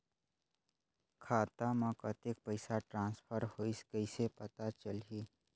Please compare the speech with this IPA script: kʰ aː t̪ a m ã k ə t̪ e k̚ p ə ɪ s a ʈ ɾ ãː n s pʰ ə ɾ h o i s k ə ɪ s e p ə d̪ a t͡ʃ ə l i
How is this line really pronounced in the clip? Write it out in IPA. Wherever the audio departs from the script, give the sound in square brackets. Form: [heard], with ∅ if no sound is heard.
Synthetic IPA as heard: kʰ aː t̪ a m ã k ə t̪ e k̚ p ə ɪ s a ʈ ɾ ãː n s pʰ ə ɾ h o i s k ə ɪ s e p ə [t̪] a t͡ʃ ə l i